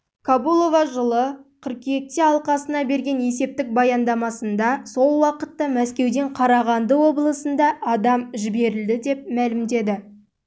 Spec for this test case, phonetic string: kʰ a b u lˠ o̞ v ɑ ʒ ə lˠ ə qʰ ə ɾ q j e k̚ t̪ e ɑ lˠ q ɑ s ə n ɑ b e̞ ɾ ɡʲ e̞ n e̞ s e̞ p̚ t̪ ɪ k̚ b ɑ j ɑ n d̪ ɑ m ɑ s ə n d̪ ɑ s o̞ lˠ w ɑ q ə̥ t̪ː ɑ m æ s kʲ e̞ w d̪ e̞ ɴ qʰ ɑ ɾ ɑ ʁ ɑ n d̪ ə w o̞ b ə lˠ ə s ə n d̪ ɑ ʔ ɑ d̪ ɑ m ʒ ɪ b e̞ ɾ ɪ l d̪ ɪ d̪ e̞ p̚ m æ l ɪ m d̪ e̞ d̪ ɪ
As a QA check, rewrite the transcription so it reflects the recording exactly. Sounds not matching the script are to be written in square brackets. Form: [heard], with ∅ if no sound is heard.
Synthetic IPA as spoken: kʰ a b u lˠ o̞ v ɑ ʒ ə lˠ ə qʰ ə ɾ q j e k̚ t̪ e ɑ lˠ q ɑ s ə n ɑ b e̞ ɾ ɡʲ e̞ n e̞ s e̞ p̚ t̪ ɪ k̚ b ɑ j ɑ n d̪ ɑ m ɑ s ə n d̪ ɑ s o̞ lˠ w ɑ q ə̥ t̪ː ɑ m æ s kʲ e̞ w d̪ e̞ ɴ qʰ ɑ ɾ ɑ ʁ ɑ n d̪ ə w o̞ b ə lˠ ə s ə n d̪ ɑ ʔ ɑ d̪ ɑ m ʒ ɪ b e̞ ɾ ɪ l d̪ ɪ d̪ e̞ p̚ m æ l ɪ m d̪ e̞ d̪ ɪ

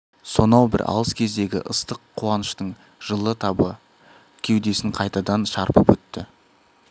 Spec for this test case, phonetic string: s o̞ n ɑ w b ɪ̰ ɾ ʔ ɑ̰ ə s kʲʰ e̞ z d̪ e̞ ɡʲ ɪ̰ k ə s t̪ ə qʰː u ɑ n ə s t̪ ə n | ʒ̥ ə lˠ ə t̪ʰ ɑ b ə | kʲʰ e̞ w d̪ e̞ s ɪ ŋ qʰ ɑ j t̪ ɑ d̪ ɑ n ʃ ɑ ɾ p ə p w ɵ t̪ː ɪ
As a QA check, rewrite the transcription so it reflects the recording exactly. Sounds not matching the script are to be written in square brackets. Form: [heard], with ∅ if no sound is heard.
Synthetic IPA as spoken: s o̞ n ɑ w b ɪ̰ ɾ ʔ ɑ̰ ə s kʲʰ e̞ z d̪ e̞ ɡʲ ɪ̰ [ʔ] ə s t̪ ə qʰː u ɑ n ə [ʃ] t̪ ə [ɴ] | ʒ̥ ə lˠ ə t̪ʰ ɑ b ə | kʲʰ e̞ w d̪ e̞ s ɪ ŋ qʰ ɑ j t̪ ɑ d̪ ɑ n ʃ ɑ ɾ p ə p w ɵ t̪ː ɪ

